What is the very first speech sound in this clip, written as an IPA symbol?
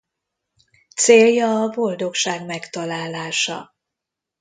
t̪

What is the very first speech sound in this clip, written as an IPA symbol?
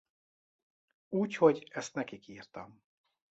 uː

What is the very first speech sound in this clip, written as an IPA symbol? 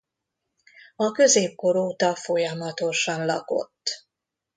ɒ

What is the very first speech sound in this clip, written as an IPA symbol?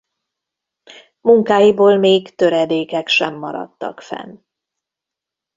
m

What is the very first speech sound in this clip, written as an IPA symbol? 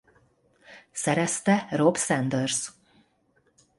s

